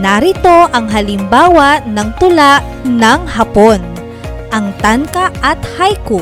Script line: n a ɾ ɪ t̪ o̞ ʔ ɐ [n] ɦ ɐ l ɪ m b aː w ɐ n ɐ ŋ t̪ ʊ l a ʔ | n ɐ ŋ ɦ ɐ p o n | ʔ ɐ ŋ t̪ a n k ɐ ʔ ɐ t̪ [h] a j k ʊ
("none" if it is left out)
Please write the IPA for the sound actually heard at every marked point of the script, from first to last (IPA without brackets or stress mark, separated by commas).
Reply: ŋ, h